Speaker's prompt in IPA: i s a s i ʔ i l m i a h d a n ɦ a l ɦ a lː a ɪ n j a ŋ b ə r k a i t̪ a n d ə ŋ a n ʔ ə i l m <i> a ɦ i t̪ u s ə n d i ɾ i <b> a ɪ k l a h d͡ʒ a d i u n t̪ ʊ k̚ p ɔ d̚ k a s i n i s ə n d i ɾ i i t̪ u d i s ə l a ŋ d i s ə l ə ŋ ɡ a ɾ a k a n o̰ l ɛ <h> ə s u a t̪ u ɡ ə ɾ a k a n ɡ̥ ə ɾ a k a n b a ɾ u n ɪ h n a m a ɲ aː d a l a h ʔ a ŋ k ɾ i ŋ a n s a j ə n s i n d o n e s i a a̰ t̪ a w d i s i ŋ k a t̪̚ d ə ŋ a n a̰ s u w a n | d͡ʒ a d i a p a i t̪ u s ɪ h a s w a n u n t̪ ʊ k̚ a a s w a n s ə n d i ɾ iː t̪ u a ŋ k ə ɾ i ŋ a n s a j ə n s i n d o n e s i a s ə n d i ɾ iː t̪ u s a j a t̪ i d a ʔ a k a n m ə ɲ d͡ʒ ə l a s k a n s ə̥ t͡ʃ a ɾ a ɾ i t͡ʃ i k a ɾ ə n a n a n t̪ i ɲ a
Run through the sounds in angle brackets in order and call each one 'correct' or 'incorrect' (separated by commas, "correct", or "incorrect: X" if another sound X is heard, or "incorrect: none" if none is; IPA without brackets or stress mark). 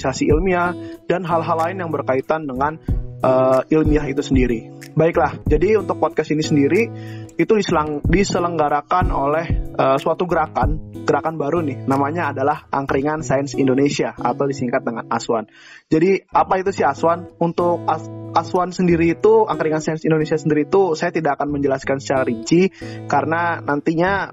correct, correct, correct